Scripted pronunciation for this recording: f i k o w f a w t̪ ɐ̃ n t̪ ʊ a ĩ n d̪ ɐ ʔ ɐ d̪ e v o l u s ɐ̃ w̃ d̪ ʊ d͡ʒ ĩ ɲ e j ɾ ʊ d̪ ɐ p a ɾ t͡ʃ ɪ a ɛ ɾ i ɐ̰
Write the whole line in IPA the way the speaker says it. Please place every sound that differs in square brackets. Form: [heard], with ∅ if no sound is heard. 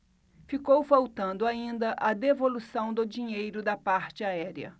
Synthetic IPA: f i k o w f a w t̪ ɐ̃ n [d̪] ʊ a ĩ n d̪ ɐ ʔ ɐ d̪ e v o l u s ɐ̃ w̃ d̪ ʊ d͡ʒ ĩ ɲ e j ɾ ʊ d̪ ɐ p a ɾ t͡ʃ ɪ a ɛ ɾ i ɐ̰